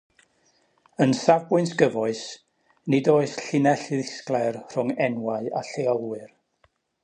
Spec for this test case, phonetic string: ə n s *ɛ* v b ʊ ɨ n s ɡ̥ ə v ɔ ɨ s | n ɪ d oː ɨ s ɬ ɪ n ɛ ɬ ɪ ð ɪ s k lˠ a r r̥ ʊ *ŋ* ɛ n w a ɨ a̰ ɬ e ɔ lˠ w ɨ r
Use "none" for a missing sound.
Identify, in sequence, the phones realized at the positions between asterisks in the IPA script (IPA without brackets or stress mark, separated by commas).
a, ŋ